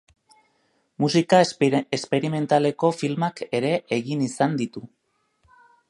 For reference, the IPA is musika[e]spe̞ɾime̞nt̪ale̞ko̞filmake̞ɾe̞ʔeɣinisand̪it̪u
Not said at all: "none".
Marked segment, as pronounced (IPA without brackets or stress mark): e